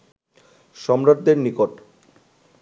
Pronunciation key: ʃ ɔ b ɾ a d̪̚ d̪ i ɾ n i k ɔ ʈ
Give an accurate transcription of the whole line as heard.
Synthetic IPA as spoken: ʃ ɔ m ɾ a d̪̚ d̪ e ɾ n i k o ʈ

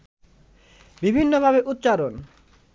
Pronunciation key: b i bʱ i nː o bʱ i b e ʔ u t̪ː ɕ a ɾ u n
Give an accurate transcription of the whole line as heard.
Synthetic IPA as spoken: b i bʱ i nː o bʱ a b e ʔ u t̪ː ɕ a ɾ o n

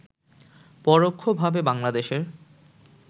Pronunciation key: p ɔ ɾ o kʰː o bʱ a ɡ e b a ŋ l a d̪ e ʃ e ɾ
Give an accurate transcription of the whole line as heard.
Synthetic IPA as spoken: p ɔ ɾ o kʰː o bʱ a b e b a ŋ l a d̪ e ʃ e ɾ

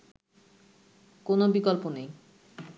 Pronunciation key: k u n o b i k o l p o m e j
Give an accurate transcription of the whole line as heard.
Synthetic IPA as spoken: k o n o b i k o l p o n e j

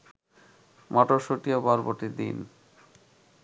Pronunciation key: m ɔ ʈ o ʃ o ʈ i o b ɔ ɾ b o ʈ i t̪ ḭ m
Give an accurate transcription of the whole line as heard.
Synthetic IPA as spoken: m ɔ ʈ o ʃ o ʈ i o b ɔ ɾ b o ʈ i d̪ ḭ n

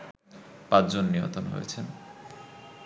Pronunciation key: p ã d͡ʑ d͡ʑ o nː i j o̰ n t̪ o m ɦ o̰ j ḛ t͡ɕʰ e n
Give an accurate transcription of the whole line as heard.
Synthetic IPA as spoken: p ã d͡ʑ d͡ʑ o nː i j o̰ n t̪ o n ɦ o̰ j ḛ t͡ɕʰ e n

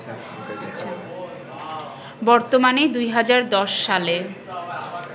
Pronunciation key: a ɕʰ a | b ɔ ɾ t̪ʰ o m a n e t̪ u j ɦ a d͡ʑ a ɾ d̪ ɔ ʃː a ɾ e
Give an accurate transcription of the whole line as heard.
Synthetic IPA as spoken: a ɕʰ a | b ɔ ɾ t̪ o m a n e d̪ u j ɦ a d͡ʑ a ɾ d̪ ɔ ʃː a l e

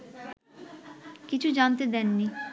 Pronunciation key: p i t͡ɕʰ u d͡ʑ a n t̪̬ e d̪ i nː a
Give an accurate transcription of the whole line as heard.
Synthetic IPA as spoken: k i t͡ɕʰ u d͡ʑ a n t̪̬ e d̪ ɛ nː i

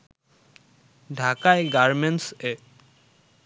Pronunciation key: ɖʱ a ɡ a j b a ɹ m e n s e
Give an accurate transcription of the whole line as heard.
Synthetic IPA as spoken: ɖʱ a k a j ɡ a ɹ m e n s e

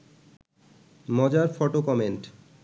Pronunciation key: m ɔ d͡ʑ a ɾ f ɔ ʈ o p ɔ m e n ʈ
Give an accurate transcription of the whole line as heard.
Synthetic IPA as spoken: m ɔ d͡ʑ a ɾ f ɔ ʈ o k ɔ m e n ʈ

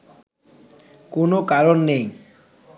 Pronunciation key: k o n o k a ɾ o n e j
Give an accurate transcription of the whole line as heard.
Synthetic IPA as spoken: k o n o k a ɾ o nː e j

